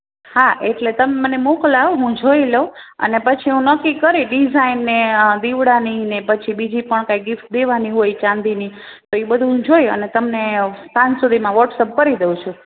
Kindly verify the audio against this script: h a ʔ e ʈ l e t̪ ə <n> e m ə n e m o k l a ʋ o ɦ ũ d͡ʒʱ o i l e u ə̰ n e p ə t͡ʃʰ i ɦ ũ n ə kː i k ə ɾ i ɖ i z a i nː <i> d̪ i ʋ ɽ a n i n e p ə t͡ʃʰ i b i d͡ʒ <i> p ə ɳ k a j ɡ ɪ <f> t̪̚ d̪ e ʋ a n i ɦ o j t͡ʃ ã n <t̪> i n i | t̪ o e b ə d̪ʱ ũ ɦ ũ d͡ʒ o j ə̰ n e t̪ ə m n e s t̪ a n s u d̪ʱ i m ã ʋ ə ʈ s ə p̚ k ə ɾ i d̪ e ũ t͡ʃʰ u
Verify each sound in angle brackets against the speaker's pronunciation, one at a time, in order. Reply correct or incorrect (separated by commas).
incorrect, incorrect, correct, correct, incorrect